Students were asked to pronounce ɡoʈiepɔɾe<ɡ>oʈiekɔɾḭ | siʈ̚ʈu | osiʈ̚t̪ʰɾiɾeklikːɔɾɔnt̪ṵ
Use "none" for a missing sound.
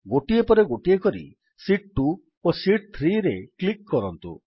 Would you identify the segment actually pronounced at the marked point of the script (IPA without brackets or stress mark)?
ɡ